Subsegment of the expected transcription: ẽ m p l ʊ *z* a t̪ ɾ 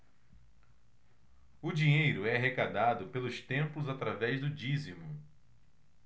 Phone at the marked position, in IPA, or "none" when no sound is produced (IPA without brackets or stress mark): z